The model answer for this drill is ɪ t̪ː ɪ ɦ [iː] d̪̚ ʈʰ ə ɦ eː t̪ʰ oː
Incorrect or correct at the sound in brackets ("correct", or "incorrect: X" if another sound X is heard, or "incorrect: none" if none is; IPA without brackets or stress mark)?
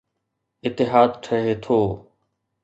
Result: incorrect: aː